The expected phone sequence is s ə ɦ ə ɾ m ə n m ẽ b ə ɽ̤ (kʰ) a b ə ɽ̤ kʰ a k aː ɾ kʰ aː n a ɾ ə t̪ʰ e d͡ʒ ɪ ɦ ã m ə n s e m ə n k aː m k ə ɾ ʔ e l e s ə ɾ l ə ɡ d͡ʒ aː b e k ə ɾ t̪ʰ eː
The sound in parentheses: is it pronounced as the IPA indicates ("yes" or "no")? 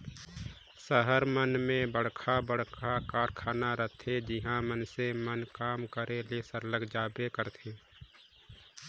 yes